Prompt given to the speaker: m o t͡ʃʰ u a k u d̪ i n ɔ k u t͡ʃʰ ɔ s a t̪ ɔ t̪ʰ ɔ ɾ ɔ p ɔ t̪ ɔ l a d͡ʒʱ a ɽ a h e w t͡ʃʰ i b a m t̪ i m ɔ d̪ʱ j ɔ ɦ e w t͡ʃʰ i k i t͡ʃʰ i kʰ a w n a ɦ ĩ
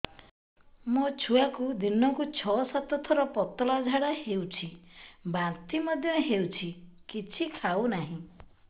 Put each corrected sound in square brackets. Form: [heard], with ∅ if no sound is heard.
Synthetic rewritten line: m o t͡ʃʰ u a k u d̪ i n ɔ k u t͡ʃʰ ɔ s a t̪ ɔ t̪ʰ ɔ ɾ ɔ p ɔ t̪ ɔ l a d͡ʒʱ a ɽ a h e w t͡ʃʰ i b a [n] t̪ i m ɔ d̪ʱ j ɔ ɦ e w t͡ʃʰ i k i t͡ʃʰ i kʰ a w n a ɦ ĩ